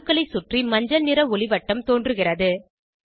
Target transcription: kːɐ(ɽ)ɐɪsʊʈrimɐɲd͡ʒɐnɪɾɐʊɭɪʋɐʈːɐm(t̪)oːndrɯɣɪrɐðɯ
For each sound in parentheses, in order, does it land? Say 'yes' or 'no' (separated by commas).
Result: no, yes